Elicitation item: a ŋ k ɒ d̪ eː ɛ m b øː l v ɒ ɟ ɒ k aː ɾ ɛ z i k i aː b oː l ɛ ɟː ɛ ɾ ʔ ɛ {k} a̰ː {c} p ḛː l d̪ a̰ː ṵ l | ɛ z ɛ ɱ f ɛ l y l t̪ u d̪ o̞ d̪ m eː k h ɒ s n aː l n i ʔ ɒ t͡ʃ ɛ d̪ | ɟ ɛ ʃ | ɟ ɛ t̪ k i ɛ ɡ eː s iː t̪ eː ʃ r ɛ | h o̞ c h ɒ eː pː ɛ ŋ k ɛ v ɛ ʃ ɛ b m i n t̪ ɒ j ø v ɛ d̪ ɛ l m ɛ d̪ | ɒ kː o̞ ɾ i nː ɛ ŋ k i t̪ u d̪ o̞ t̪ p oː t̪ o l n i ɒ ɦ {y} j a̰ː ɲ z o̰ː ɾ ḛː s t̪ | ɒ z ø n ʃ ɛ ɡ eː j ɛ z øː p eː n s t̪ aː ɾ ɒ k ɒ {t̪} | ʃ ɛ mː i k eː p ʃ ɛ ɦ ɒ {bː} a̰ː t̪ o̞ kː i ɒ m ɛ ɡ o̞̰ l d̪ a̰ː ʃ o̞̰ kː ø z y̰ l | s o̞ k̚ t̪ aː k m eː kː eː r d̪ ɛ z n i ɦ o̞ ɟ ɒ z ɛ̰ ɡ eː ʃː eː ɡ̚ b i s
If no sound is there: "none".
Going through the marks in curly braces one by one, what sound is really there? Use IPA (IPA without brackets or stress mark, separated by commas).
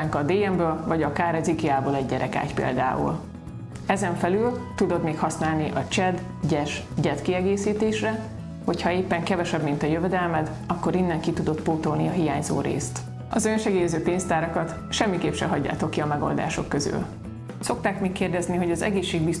k, c, i, t̪, ɟː